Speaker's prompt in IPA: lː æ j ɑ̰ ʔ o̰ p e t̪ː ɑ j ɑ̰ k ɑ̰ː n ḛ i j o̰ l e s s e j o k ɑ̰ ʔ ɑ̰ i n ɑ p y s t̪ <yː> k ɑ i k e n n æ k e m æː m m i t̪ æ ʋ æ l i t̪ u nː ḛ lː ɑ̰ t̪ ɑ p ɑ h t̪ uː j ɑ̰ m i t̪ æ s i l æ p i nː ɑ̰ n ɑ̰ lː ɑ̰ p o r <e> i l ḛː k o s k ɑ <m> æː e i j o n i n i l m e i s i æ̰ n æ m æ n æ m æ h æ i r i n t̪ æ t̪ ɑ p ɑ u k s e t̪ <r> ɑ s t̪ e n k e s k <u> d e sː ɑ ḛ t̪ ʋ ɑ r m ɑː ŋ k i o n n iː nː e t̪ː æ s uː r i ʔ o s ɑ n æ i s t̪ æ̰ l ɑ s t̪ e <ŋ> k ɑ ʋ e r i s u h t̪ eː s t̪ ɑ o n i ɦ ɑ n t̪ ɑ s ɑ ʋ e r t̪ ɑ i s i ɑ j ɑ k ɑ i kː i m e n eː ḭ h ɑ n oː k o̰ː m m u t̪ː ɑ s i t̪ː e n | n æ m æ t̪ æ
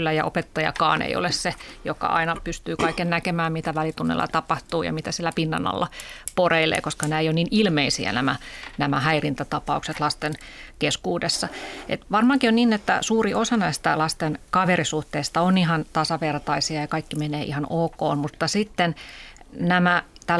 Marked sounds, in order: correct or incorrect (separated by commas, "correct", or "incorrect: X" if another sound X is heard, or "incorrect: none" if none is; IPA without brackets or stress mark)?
correct, correct, incorrect: n, incorrect: l, incorrect: uː, incorrect: n